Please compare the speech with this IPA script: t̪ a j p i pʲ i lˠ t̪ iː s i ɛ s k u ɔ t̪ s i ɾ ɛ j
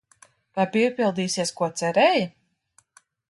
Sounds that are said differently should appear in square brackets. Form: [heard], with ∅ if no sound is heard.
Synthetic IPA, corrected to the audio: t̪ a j p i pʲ i lˠ [d̪] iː s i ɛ s k u ɔ t̪ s [ɛ] ɾ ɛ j